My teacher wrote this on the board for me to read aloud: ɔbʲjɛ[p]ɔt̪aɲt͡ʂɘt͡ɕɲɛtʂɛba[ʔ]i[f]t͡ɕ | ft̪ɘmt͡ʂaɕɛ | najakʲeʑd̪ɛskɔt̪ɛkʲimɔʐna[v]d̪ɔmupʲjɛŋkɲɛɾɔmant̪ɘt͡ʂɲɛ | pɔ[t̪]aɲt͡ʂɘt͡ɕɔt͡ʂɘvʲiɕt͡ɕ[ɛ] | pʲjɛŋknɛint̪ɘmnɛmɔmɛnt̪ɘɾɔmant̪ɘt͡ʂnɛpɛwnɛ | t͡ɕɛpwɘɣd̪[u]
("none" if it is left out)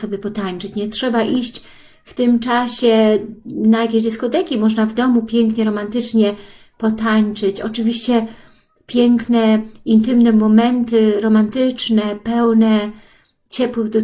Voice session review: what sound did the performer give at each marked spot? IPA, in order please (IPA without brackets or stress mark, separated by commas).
p, ʔ, ɕ, v, t̪, ɛ, ɔ